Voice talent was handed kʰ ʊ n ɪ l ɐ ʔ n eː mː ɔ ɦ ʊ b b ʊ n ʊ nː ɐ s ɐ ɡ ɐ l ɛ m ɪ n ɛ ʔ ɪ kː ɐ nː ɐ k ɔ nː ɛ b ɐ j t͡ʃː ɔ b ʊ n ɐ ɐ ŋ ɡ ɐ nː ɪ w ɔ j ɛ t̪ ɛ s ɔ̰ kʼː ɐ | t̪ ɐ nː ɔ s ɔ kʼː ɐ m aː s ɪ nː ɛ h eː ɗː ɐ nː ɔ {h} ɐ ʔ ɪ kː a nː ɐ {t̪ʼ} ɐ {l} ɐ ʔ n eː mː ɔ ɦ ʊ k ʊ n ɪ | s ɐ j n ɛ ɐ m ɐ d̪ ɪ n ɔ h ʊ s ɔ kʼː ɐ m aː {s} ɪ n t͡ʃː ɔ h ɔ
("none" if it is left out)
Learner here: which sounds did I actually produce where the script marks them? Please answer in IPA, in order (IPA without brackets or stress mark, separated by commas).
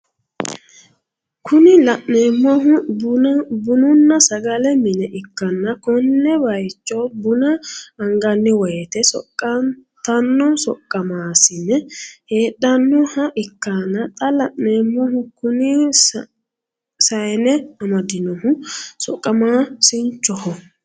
h, t̪ʼ, l, s